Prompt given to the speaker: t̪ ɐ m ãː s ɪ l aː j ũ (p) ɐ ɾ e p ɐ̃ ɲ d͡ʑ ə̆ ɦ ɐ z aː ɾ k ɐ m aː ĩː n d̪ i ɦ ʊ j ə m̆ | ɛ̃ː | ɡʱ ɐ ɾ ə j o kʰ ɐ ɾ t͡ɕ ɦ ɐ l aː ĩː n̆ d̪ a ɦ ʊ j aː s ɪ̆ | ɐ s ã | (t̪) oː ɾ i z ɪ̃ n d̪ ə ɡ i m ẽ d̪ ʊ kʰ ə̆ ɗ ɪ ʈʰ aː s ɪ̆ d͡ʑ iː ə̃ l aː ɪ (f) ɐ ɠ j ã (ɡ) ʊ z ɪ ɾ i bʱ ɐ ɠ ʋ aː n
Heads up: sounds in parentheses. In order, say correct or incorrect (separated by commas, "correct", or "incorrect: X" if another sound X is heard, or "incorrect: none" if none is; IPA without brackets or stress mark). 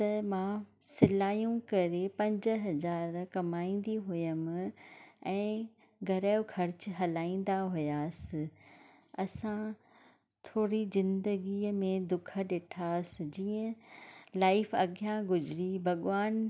incorrect: k, incorrect: t̪ʰ, correct, correct